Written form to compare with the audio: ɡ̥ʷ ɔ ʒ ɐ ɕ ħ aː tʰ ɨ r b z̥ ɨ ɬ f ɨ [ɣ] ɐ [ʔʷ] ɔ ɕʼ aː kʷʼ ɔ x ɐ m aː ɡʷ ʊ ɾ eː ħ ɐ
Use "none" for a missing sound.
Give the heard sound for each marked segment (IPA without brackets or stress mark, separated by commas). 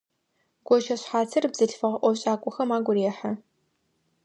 ʁ, ʔʷ